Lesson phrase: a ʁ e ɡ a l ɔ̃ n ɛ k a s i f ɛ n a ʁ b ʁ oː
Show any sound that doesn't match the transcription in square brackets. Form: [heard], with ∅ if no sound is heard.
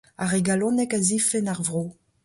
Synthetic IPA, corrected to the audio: a ʁ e ɡ a l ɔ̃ n ɛ k a [z] i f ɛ n a ʁ [v] ʁ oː